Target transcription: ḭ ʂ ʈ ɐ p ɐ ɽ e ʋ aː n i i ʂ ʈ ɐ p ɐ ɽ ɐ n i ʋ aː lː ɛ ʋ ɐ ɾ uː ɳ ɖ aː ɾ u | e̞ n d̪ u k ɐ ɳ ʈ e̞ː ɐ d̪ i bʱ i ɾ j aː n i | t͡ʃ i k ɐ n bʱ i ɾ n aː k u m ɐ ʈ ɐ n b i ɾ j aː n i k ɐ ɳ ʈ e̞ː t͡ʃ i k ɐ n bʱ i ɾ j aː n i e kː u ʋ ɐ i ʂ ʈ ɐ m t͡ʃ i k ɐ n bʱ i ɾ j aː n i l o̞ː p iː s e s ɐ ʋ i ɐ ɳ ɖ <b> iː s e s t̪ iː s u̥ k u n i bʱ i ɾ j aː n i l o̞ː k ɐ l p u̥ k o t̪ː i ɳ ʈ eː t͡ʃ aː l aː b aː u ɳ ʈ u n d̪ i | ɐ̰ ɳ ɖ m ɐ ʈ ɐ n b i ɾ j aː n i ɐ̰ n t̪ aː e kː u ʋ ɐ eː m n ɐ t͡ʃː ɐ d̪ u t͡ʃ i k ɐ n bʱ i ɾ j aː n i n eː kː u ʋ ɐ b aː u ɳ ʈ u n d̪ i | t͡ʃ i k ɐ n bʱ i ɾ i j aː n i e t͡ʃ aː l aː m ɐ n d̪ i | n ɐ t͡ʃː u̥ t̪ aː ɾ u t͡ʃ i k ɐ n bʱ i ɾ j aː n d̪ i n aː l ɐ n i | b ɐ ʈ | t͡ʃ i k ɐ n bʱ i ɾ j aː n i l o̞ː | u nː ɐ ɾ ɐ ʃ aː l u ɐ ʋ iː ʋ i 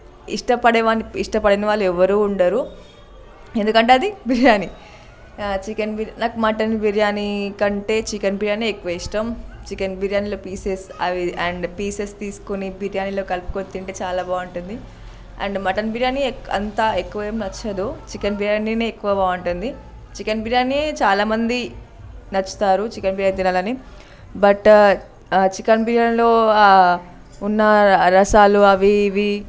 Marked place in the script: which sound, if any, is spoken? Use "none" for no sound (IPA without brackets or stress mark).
p